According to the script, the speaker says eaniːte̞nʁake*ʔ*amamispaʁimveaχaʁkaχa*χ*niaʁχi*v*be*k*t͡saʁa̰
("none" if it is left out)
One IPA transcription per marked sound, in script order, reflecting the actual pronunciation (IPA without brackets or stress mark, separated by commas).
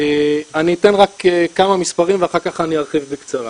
k, none, v, k